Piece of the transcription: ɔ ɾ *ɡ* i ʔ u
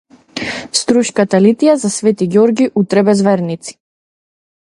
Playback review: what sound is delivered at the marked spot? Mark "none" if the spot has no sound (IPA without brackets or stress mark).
ɡ